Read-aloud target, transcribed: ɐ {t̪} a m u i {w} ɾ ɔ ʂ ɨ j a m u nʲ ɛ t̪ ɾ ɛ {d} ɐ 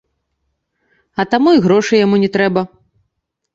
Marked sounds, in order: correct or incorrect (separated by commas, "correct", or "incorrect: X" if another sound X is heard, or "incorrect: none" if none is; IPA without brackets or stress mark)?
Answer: correct, incorrect: ɣ, incorrect: b